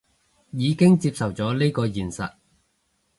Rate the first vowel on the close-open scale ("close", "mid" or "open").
close